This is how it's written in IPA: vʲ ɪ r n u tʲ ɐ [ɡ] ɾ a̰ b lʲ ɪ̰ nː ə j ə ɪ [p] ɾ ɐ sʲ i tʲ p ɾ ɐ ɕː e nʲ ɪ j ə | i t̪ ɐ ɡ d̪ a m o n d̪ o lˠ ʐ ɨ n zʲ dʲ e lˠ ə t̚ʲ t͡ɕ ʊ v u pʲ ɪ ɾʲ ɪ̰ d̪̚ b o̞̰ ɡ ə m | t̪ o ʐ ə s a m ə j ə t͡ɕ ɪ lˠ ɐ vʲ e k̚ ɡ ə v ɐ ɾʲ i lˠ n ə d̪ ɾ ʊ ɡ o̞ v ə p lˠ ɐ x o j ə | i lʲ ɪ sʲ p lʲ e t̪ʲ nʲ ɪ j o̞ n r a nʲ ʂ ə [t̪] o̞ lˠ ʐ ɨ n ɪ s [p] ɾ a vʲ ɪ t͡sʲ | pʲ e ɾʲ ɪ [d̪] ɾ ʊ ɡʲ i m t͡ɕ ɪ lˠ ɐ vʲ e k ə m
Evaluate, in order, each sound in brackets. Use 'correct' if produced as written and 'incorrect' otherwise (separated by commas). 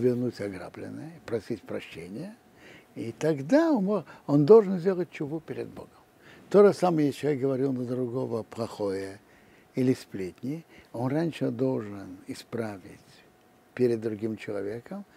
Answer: correct, correct, incorrect, correct, incorrect